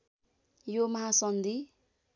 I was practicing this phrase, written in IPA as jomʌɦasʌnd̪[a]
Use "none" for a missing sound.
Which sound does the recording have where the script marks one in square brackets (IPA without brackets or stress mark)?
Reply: i